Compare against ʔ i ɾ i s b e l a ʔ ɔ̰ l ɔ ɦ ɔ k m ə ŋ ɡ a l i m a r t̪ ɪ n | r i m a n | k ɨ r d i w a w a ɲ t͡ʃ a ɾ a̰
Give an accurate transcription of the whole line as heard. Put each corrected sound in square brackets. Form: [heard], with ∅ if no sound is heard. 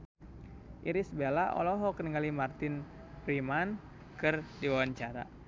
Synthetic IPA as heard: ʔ i ɾ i s b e l a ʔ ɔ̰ l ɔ ɦ ɔ k [n] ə ŋ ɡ a l i m a r t̪ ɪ n | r i m a n | k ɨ r d i w a w a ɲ t͡ʃ a ɾ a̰